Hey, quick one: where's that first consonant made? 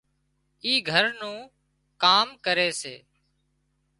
velum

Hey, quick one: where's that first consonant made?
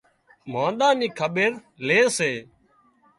lips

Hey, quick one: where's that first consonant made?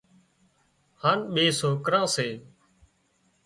throat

